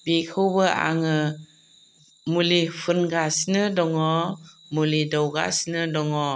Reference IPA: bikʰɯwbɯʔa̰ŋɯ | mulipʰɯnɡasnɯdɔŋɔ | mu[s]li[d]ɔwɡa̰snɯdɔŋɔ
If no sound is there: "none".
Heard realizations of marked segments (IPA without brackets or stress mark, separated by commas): none, d